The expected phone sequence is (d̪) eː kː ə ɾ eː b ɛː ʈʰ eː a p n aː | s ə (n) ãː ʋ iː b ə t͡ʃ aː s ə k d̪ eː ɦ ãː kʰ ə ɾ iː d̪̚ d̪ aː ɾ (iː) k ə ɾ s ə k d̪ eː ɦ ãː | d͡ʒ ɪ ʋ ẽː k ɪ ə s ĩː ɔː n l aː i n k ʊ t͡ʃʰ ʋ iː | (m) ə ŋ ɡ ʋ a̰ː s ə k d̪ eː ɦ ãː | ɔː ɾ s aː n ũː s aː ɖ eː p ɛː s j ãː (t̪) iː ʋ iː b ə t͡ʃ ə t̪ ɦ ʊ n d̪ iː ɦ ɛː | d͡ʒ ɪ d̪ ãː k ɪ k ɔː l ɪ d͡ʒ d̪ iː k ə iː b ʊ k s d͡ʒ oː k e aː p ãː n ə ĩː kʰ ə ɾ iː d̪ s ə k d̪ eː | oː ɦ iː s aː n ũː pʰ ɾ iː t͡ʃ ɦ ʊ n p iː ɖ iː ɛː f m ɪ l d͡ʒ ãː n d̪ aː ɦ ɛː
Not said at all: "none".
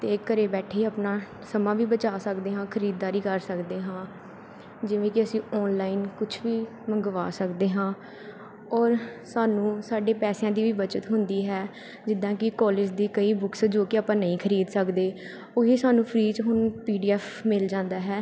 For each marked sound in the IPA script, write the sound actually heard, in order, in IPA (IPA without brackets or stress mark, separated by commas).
t̪, m, iː, m, d̪